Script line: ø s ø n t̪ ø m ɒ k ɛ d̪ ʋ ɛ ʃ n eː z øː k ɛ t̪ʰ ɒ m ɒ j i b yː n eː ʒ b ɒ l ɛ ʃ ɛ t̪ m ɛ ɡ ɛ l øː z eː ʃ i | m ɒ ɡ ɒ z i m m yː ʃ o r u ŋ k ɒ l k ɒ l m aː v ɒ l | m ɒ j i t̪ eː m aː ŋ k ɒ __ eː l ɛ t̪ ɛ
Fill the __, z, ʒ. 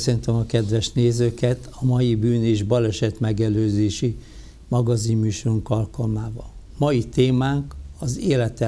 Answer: z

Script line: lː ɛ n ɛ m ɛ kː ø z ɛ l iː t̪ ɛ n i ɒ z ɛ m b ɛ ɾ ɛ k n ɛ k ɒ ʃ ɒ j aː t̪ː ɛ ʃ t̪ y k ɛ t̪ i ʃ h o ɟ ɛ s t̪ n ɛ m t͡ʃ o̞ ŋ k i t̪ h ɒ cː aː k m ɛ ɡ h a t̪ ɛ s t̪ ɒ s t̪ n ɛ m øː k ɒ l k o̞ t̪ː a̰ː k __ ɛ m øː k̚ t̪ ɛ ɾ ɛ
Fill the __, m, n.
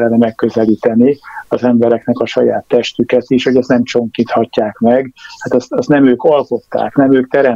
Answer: n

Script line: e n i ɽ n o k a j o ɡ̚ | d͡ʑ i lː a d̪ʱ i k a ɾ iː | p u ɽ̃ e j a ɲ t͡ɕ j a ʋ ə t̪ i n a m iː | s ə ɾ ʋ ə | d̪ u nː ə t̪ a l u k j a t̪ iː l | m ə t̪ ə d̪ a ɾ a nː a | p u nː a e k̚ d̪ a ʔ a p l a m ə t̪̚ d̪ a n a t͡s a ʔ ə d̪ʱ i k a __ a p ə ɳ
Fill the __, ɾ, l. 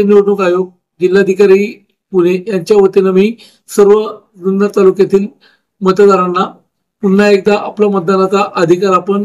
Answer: ɾ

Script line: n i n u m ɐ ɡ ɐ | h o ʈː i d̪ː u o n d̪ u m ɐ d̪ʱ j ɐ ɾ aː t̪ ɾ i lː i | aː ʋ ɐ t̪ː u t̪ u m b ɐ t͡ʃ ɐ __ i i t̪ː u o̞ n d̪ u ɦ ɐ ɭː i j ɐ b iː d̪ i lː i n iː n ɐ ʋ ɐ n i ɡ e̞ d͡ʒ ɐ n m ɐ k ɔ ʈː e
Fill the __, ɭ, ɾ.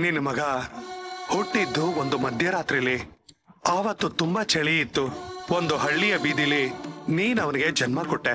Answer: ɭ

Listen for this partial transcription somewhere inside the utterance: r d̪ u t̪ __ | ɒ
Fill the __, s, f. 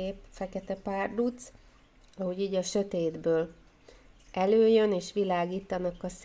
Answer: s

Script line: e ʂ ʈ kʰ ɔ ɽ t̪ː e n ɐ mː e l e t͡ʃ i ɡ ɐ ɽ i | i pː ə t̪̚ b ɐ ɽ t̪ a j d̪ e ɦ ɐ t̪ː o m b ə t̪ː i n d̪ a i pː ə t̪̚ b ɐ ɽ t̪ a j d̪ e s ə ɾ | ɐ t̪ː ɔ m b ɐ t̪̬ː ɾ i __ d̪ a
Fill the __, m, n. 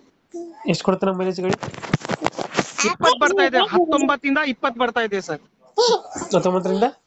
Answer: n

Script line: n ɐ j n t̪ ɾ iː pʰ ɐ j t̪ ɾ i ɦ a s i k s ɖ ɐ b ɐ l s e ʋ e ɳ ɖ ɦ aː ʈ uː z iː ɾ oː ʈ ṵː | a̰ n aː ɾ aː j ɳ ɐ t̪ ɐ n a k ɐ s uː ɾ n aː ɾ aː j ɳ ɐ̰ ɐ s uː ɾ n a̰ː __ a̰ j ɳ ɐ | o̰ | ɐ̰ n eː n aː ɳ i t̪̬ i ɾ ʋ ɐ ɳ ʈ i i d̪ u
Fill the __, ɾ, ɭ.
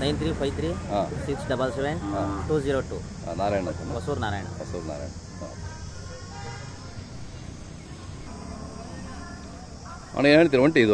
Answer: ɾ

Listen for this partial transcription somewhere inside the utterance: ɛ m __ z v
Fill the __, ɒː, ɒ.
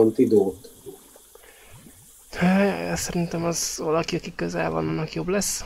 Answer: ɒ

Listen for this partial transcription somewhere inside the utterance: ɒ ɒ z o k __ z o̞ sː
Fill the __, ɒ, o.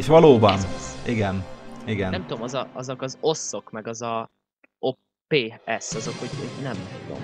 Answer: ɒ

